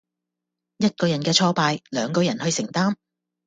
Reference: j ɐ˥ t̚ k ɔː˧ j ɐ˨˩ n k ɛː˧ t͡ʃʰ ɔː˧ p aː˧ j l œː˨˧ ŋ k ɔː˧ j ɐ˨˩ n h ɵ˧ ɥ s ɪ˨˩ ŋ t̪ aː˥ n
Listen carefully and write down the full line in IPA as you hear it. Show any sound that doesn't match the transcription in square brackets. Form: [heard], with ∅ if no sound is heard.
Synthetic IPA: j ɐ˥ t̚ k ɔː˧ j ɐ˨˩ n k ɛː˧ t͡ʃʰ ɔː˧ p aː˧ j l œː˨˧ ŋ k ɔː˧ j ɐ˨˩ n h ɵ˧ ɥ s ɪ˨˩ ŋ t̪ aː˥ [m]